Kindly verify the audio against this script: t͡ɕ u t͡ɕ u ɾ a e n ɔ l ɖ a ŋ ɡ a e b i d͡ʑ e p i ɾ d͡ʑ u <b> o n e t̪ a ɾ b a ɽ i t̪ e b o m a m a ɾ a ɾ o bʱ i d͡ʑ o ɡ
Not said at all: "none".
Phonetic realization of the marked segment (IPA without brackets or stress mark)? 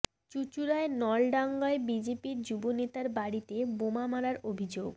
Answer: b